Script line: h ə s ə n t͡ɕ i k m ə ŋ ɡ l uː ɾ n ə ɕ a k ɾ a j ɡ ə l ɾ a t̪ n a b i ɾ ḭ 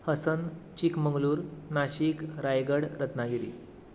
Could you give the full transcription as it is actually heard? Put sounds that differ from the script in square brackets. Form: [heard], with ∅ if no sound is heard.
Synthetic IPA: h ə s ə n t͡ɕ i k m ə ŋ ɡ l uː ɾ n [a] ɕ [i] k ɾ a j ɡ ə [ɽ] ɾ [ə] t̪ n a [ɡ] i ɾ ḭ